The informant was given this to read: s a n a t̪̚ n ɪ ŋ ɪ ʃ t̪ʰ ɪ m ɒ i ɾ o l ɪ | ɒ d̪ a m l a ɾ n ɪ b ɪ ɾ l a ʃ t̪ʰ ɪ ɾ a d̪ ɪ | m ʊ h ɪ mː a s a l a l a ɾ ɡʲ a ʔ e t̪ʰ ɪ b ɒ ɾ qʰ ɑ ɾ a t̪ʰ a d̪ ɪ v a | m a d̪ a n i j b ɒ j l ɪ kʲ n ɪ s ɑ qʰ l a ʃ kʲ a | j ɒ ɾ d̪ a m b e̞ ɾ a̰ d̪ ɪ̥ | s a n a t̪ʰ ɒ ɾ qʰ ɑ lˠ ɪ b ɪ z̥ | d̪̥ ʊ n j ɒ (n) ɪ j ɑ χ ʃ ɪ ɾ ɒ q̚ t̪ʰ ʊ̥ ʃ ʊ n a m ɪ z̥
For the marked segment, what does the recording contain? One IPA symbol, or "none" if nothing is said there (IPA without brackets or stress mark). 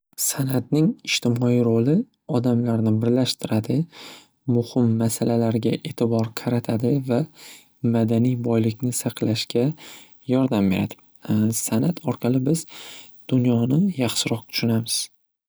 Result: n